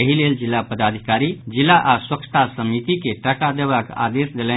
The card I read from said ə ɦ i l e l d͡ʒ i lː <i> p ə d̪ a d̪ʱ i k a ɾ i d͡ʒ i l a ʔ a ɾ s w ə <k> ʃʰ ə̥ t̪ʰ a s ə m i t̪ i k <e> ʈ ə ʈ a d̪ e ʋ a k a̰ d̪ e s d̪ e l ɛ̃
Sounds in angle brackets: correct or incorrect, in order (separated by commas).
incorrect, correct, correct